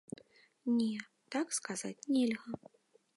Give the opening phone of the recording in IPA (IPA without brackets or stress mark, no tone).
nʲ